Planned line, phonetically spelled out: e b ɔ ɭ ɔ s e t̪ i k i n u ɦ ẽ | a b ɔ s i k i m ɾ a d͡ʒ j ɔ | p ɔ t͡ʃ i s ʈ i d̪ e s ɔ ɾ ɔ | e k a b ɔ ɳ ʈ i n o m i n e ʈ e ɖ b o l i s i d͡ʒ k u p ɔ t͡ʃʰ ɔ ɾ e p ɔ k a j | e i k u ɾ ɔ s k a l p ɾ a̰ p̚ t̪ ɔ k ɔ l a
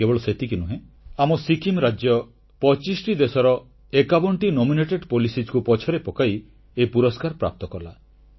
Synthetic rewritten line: e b ɔ ɭ ɔ s e t̪ i k i n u ɦ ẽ | a m ɔ s i k i m ɾ a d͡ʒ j ɔ | p ɔ t͡ʃ i s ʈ i d̪ e s ɔ ɾ ɔ | e k a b ɔ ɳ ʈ i n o m i n e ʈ e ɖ p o l i s i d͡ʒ k u p ɔ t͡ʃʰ ɔ ɾ e p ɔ k a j | e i p u ɾ ɔ s k a ɾ p ɾ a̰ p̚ t̪ ɔ k ɔ l a